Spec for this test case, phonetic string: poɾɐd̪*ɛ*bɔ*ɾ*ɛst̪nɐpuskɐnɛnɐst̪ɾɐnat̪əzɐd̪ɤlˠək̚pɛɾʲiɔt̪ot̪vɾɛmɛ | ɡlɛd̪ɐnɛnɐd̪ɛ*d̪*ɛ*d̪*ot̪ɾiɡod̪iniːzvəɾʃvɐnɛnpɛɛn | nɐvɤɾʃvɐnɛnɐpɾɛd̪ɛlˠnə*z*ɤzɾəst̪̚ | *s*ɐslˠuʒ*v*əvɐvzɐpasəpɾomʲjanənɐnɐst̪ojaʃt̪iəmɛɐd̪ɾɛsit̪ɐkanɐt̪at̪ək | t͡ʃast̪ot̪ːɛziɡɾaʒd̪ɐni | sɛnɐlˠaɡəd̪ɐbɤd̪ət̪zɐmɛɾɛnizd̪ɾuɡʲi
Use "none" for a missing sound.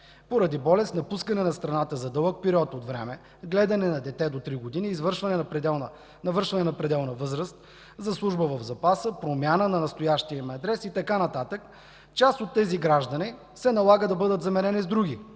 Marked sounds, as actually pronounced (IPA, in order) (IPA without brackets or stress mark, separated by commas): i, l, t̪, d̪, v, z, b